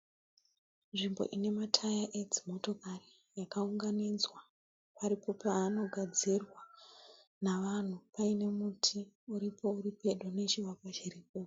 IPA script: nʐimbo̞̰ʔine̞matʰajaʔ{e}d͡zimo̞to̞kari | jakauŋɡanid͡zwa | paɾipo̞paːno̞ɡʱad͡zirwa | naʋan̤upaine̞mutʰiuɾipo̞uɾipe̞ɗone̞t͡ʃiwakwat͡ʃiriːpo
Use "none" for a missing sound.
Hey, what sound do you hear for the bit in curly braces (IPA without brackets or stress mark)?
e